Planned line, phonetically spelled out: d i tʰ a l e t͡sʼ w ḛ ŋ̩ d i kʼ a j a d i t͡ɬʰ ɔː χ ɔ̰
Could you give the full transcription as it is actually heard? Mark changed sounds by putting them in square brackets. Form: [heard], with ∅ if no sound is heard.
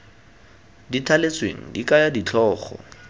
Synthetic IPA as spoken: d i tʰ a l e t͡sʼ w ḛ ŋ̩ d i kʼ a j a d i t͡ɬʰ ɔː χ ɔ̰